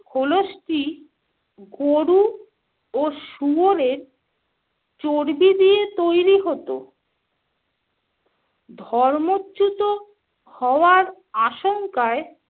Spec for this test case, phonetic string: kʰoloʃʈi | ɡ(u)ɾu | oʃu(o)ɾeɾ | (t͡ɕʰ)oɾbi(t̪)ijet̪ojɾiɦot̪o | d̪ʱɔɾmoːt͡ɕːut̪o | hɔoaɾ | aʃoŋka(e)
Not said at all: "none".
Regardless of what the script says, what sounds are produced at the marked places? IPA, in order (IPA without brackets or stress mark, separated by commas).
o, o, t͡ɕ, d̪, e